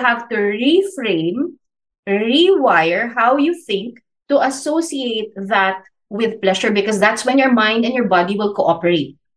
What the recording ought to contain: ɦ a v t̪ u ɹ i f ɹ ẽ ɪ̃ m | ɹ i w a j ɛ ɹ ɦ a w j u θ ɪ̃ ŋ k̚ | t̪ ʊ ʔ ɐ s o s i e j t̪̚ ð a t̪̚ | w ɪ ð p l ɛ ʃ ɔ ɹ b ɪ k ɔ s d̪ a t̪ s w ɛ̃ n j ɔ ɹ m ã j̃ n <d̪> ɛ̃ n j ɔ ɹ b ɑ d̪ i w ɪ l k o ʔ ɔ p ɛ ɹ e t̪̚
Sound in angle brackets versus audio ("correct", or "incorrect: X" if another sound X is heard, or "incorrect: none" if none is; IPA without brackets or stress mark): correct